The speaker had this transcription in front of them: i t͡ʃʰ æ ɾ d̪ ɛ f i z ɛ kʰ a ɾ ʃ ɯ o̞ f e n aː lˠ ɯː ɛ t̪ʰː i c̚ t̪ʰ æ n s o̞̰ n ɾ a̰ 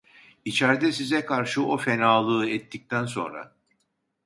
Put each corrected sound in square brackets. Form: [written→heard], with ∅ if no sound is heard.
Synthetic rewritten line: i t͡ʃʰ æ ɾ d̪ ɛ [f→s] i z ɛ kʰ a ɾ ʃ ɯ o̞ f e n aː lˠ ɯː ɛ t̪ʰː i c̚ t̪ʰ æ n s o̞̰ n ɾ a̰